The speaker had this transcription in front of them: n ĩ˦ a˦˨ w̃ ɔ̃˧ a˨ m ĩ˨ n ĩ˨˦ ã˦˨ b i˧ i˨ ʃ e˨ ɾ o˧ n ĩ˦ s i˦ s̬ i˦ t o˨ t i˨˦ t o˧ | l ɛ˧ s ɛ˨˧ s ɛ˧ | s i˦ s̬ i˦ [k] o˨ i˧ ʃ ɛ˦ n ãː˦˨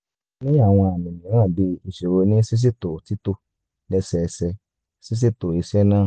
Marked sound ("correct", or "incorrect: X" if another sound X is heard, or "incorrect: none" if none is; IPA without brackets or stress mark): incorrect: t